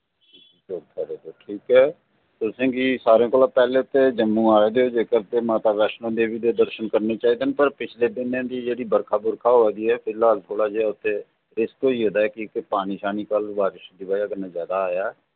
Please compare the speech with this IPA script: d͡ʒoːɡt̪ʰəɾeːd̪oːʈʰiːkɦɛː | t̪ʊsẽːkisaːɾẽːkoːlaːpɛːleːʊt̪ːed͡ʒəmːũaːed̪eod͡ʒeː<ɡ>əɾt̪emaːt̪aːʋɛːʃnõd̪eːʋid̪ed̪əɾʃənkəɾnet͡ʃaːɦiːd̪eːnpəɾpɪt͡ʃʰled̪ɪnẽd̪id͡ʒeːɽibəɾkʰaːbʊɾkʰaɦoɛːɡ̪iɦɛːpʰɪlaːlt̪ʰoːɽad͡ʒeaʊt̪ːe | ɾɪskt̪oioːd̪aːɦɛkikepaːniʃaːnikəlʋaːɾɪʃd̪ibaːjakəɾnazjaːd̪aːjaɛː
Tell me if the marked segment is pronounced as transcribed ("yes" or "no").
no